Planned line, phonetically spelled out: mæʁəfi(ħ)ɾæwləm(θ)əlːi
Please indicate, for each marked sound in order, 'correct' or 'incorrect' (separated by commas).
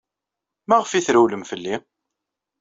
incorrect, incorrect